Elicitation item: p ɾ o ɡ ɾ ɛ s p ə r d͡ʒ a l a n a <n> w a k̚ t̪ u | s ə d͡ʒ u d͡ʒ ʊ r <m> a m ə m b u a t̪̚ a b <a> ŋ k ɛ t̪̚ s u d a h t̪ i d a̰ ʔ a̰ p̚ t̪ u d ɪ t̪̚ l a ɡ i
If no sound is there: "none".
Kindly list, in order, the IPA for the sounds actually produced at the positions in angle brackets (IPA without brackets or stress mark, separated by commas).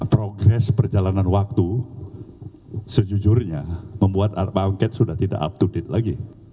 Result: n, ɲ, a